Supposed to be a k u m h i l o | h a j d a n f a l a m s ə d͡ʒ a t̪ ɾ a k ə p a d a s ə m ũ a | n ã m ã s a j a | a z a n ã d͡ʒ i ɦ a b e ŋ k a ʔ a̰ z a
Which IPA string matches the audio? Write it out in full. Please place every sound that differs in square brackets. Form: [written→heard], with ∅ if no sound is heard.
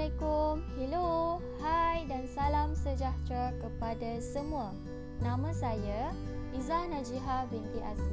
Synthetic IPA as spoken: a k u m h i l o | h a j d a n [f→s] a l a m s ə d͡ʒ a t̪ ɾ a k ə p a d a s ə m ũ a | n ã m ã s a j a | [a→i] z a n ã d͡ʒ i ɦ a b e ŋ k [a→i] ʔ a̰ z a